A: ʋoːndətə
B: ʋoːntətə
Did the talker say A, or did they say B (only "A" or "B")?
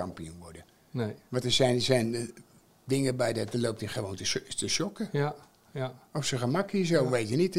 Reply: B